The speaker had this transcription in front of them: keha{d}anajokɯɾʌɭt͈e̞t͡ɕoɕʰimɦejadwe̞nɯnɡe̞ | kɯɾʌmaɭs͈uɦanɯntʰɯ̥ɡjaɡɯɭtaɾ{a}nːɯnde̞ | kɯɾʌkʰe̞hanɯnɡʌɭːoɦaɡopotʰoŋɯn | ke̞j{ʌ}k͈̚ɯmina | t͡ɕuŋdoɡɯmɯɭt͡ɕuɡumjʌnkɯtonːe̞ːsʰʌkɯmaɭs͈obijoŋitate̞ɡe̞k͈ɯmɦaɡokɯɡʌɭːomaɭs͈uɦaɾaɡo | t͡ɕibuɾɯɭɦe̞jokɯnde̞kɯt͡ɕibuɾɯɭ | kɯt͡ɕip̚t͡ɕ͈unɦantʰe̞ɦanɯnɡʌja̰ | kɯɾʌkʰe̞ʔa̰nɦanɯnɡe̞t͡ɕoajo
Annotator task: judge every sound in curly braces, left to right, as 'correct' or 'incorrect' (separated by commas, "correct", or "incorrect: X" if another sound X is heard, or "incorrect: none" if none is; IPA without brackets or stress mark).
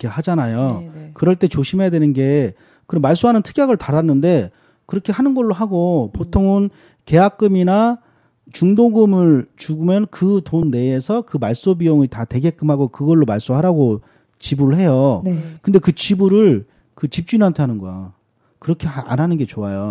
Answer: incorrect: d͡ʑ, correct, incorrect: a